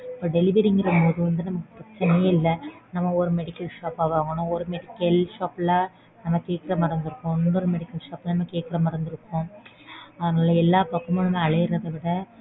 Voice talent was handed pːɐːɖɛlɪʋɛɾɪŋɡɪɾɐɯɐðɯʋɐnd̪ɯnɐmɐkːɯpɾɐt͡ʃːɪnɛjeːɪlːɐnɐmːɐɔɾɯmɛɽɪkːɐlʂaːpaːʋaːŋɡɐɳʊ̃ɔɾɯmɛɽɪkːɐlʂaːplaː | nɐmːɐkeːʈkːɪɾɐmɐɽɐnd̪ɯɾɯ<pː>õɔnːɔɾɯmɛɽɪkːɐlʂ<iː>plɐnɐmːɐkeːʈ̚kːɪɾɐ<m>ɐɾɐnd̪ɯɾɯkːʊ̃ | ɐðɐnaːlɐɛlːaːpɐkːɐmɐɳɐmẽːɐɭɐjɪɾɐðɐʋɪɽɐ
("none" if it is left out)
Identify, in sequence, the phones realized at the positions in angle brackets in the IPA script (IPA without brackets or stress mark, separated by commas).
kː, aː, m